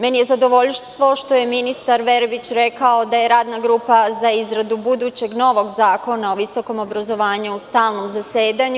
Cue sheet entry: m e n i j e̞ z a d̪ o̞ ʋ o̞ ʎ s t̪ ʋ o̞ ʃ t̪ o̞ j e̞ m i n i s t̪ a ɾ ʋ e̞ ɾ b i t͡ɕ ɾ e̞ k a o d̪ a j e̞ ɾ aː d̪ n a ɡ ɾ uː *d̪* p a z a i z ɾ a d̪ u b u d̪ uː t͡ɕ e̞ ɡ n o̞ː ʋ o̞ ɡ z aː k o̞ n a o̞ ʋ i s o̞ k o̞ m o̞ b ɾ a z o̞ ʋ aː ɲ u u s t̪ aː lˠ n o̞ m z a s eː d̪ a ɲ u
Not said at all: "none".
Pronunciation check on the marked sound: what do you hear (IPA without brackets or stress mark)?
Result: none